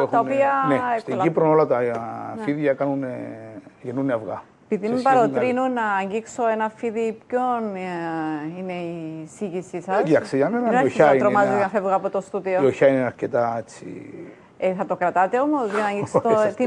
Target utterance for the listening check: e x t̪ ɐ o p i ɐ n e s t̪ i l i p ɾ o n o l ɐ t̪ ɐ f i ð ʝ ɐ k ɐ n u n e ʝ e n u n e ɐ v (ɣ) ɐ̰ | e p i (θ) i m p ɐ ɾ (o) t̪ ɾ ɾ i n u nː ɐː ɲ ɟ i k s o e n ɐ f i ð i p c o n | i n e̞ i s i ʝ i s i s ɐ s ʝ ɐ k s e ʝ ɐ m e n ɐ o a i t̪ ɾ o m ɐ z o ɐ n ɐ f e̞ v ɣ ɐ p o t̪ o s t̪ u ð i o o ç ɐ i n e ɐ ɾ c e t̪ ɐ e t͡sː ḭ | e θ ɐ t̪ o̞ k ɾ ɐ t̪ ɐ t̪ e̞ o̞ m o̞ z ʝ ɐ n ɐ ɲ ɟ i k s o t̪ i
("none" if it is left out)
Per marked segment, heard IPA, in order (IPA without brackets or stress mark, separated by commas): ɣ, ð, o